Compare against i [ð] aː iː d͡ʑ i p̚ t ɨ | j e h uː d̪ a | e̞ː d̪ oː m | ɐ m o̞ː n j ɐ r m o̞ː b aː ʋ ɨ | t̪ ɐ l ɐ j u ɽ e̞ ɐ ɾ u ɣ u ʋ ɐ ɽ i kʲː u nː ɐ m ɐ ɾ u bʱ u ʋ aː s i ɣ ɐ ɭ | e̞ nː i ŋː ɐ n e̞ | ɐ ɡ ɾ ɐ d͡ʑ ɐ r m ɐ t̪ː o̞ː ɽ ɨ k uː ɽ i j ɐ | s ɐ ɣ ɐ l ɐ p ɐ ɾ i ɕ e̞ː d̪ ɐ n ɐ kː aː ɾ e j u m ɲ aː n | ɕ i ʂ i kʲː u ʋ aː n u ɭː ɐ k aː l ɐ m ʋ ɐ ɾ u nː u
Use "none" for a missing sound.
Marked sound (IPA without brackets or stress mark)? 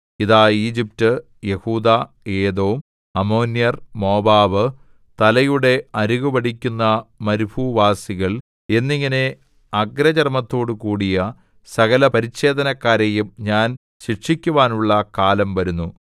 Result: ð